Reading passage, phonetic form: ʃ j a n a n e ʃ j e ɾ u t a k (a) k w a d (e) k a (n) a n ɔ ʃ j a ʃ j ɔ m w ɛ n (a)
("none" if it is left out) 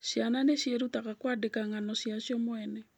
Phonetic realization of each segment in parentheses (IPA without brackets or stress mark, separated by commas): a, e, ŋ, ɛ